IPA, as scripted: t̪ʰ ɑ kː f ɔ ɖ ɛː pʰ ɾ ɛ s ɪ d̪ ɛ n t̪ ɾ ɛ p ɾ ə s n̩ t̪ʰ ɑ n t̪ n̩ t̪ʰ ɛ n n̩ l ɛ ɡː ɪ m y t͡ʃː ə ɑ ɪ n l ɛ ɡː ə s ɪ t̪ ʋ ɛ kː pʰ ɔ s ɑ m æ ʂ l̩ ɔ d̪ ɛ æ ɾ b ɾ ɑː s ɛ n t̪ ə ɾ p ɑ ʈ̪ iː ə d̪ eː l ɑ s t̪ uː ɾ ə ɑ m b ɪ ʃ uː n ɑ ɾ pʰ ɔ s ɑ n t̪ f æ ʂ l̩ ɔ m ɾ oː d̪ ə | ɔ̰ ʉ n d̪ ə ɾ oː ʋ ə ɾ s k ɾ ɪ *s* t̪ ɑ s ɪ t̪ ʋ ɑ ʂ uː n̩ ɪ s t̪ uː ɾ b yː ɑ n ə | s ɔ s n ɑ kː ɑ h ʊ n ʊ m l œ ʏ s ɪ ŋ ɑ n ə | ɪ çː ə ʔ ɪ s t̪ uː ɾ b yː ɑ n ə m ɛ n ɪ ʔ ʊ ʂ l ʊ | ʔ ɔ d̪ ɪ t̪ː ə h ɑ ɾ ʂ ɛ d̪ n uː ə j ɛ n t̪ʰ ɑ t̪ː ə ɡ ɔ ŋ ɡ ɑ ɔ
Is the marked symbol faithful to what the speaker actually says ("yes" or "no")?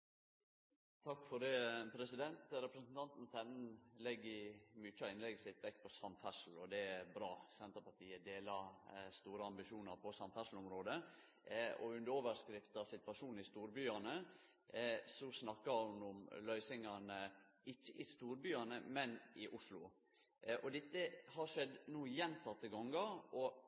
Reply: no